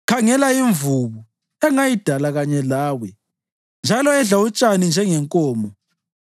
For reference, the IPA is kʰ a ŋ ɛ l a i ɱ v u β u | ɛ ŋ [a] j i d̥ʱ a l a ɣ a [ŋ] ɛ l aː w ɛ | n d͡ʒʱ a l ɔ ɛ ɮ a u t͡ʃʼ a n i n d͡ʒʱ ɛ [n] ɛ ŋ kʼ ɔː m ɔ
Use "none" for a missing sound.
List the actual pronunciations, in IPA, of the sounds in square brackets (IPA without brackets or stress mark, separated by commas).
a, ɲ, ŋ